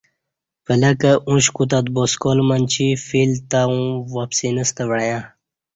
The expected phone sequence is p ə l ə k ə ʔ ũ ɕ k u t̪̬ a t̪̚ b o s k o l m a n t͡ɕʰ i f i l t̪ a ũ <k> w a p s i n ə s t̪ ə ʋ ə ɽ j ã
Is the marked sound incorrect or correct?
incorrect